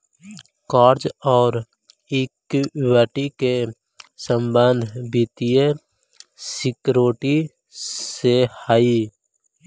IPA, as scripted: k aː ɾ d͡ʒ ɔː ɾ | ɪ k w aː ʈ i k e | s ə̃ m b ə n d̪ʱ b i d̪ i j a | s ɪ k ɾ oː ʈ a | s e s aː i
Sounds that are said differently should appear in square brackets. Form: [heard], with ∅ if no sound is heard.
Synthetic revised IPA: k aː ɾ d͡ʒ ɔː ɾ | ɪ k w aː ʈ i k e | s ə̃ m b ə n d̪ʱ b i [t̪] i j [e] | s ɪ k ɾ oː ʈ [i] | s e [h] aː i